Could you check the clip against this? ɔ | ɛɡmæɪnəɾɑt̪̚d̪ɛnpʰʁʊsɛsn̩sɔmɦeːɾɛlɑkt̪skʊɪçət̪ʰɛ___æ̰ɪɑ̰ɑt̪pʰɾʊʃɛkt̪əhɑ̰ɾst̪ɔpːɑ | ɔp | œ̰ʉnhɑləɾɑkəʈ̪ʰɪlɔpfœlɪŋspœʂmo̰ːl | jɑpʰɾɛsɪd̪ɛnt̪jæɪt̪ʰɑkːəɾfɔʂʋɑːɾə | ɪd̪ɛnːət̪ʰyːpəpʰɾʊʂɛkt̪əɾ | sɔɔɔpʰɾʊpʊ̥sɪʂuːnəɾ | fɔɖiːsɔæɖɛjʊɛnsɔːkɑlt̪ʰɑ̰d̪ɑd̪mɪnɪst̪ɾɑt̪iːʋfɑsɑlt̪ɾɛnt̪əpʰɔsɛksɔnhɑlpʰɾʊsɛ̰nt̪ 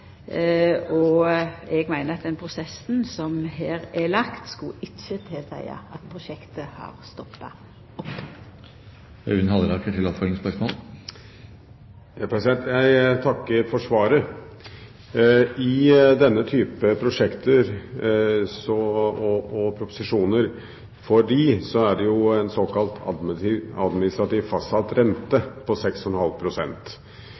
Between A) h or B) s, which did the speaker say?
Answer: B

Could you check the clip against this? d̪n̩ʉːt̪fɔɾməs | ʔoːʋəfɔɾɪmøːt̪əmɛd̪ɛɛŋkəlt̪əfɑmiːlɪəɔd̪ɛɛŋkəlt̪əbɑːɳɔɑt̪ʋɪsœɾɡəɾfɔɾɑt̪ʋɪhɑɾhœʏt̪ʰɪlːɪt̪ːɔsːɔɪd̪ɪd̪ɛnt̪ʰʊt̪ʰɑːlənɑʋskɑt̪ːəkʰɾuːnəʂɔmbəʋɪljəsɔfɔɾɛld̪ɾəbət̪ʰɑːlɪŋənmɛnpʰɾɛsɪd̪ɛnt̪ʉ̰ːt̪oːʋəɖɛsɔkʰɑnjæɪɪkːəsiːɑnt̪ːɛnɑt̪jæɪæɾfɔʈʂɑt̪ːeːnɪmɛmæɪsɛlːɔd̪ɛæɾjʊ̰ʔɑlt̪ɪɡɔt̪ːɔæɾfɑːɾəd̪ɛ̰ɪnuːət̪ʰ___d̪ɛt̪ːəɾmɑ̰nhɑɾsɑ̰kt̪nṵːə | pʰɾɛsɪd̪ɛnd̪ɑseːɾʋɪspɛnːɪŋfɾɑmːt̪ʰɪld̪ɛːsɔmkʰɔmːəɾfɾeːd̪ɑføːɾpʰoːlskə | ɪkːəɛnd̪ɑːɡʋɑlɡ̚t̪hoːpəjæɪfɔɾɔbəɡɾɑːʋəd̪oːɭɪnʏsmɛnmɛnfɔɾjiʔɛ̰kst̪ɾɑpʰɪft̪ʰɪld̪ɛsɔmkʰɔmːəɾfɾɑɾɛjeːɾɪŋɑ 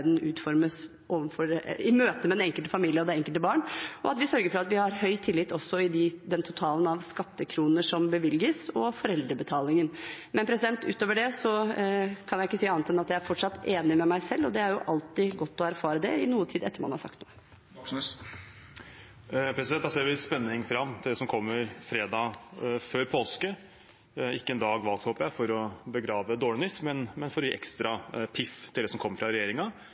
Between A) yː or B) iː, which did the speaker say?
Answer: B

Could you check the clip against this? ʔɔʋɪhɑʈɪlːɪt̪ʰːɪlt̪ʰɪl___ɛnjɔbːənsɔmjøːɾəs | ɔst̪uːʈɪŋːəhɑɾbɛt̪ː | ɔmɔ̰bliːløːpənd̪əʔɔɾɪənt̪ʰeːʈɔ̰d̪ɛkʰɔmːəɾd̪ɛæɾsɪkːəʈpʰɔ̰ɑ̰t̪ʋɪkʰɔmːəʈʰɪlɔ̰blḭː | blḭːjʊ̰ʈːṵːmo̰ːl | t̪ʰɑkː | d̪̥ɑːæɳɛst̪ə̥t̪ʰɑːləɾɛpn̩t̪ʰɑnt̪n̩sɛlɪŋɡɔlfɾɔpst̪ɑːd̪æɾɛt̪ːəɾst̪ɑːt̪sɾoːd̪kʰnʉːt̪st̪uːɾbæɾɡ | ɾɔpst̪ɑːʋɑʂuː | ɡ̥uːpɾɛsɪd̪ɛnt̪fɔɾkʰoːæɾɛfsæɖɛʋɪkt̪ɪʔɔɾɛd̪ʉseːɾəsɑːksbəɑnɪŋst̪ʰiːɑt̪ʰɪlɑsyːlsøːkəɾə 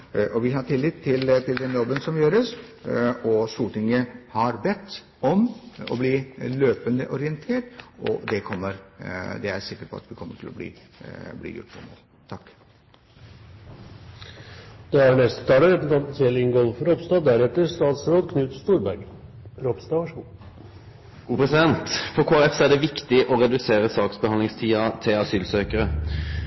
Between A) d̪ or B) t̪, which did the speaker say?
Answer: A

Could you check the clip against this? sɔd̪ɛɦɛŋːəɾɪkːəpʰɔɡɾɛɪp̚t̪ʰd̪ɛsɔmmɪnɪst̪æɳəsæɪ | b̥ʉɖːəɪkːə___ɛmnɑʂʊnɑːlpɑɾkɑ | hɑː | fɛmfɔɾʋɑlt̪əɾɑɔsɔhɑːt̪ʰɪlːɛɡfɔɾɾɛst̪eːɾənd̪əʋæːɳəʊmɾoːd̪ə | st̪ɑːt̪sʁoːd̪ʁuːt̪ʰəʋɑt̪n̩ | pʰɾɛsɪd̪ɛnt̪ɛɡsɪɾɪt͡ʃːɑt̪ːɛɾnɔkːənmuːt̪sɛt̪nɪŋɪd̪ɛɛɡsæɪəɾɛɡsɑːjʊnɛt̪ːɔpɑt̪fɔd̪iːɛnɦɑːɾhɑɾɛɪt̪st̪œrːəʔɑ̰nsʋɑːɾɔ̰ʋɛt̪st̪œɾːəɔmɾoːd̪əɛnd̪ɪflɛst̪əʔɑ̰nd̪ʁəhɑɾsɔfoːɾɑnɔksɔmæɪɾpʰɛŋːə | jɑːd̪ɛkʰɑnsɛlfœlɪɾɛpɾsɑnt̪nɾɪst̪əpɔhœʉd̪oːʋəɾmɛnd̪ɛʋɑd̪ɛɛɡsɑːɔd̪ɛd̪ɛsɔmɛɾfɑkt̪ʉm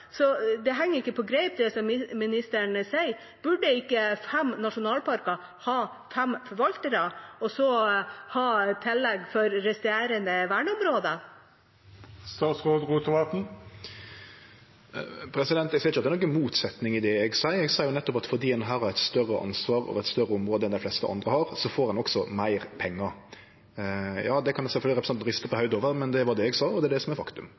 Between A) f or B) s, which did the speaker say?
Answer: A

